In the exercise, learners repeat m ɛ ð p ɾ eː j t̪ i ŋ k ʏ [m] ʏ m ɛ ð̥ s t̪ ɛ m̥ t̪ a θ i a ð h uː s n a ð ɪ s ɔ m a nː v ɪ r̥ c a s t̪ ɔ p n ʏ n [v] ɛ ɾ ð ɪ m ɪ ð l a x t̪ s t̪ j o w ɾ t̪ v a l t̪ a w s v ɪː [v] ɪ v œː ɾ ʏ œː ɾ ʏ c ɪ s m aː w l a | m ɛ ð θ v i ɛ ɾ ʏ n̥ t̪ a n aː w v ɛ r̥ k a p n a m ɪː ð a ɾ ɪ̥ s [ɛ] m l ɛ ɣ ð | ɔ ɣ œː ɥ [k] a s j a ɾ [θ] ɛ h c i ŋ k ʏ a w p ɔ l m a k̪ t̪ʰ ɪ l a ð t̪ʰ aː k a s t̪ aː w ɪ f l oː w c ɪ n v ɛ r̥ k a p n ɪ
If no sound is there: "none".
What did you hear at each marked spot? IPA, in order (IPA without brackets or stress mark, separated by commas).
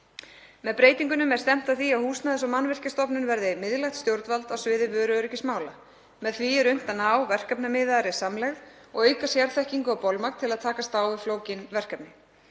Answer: n, v, ð, a, k, θ